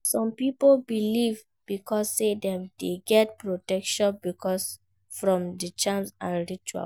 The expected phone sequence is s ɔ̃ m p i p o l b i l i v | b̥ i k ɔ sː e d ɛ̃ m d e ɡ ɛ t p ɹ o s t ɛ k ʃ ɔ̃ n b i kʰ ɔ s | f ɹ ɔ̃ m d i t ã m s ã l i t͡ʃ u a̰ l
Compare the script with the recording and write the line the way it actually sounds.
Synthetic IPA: s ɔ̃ m p i p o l b i l i v | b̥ i k ɔ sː e d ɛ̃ m d e ɡ ɛ t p ɹ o t ɛ k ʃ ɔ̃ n b i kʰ ɔ s | f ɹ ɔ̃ m d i t͡ʃ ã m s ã ɹ i t͡ʃ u a̰ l